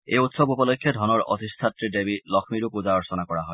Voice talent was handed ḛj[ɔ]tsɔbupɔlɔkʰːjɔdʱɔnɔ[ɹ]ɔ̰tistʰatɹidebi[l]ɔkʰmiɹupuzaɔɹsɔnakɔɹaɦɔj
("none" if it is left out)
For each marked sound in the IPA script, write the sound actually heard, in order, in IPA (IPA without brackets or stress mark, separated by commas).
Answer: u, ɹ, l